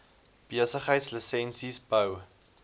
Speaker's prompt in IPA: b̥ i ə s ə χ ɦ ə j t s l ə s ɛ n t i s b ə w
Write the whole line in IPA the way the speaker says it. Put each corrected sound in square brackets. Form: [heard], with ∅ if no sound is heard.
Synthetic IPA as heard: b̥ i ə s ə χ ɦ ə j t s l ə s ɛ n [s] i s b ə w